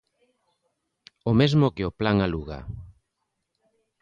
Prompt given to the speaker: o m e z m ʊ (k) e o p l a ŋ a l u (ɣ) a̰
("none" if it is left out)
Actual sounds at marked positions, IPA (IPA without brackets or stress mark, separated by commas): k, ɣ